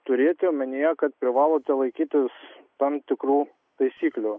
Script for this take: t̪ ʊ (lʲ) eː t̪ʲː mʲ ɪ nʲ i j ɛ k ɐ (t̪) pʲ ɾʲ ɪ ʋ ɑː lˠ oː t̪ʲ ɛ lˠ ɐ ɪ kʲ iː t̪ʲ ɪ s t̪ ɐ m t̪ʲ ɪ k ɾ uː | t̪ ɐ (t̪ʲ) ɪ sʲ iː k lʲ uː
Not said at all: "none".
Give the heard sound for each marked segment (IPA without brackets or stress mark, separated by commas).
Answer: ɾʲ, t̪, none